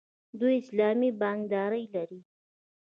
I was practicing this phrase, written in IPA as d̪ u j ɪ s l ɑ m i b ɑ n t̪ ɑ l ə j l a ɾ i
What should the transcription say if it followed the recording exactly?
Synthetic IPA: d̪ u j ɪ s l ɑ m i b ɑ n d̪ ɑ ɾ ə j l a ɾ i